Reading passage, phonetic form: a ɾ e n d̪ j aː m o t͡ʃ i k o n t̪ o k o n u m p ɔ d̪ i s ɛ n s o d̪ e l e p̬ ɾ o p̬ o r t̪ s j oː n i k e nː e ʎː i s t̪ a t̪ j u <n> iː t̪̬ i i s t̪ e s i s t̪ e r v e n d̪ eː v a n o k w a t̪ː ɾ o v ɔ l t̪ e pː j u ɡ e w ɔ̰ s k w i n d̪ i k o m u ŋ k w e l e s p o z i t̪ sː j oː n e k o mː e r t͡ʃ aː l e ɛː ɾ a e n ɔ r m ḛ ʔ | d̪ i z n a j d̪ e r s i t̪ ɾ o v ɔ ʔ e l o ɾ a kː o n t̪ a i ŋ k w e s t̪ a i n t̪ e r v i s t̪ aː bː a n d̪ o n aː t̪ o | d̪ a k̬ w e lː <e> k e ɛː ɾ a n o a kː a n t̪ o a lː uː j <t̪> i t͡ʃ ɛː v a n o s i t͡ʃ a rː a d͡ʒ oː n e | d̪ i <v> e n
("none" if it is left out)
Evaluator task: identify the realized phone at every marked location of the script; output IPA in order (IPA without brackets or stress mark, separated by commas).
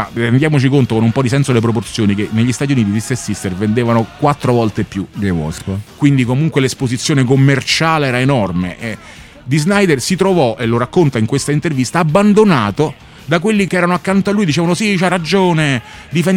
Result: n, i, d̪, f